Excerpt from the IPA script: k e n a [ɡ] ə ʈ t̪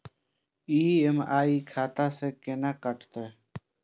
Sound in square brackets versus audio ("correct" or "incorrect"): incorrect